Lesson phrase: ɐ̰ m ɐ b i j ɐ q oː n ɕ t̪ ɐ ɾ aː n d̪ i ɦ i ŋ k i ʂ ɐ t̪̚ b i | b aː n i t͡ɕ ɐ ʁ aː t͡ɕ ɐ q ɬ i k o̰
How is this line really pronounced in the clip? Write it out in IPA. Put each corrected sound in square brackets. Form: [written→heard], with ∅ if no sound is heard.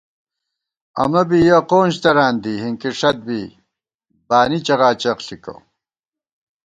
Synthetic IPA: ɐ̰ m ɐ b i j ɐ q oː n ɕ t̪ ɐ ɾ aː n d̪ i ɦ i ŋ k i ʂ ɐ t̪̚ b i | b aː n i t͡ɕ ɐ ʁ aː t͡ɕ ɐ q ɬ i k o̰